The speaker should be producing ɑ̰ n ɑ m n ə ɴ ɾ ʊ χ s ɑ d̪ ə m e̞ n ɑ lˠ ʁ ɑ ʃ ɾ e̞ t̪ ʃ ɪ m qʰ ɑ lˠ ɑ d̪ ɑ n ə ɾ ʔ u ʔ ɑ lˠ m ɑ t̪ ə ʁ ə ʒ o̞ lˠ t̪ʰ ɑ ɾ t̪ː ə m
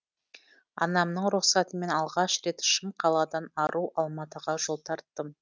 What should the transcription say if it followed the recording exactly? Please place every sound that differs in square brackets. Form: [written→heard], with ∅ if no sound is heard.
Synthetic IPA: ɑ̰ n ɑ m n ə ɴ ɾ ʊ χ s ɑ [d̪→t̪] ə m e̞ n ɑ lˠ ʁ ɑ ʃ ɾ e̞ t̪ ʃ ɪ m qʰ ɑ lˠ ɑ d̪ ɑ n [ə→ɑ] ɾ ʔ u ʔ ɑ lˠ m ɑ t̪ ə ʁ [ə→ɑ] ʒ o̞ lˠ t̪ʰ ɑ ɾ t̪ː ə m